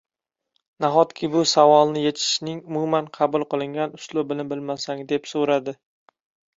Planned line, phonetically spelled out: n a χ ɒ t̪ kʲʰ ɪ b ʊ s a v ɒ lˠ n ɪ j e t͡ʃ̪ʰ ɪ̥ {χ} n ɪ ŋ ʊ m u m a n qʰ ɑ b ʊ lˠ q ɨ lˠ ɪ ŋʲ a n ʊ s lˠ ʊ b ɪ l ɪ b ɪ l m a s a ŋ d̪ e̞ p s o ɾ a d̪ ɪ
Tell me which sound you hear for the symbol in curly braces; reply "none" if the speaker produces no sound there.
ʃ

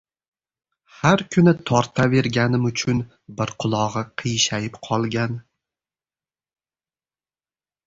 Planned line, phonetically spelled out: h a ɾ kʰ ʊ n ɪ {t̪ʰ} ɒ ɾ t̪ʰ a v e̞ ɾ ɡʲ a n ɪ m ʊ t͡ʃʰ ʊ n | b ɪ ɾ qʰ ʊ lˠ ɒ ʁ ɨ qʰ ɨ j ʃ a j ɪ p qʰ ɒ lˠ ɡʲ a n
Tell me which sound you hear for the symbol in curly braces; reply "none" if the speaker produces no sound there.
t̪ʰ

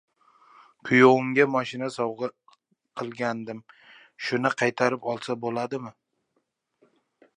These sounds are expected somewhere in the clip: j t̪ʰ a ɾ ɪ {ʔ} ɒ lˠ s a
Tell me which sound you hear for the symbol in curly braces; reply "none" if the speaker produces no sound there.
p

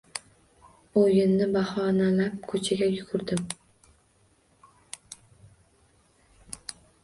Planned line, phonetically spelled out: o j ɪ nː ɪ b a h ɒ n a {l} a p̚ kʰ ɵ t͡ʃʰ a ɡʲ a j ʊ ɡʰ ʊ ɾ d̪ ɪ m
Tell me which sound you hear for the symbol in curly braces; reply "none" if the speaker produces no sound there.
l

